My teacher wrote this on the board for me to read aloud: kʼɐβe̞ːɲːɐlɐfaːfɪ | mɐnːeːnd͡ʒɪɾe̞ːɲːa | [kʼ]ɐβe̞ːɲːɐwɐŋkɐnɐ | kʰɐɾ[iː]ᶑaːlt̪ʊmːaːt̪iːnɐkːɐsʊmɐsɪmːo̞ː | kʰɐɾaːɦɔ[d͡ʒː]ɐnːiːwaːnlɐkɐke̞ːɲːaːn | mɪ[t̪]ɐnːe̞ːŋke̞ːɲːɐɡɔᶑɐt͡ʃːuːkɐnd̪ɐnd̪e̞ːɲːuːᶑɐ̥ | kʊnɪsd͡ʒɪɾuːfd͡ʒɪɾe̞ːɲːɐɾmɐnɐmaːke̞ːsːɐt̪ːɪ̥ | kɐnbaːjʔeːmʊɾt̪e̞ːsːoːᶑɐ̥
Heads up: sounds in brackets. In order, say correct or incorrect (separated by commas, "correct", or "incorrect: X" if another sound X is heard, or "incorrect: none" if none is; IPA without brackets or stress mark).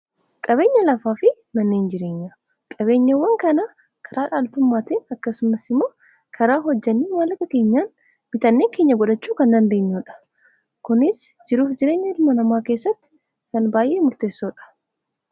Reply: correct, incorrect: aː, correct, correct